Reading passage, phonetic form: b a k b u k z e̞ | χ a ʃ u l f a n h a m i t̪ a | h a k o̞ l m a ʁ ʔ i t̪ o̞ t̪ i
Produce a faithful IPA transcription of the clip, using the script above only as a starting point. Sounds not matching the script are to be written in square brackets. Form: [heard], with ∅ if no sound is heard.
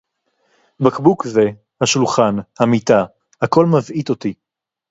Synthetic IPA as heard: b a k b u k z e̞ | [h] a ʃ u l [χ] a n h a m i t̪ a | h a k o̞ l m a [v] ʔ i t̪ o̞ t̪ i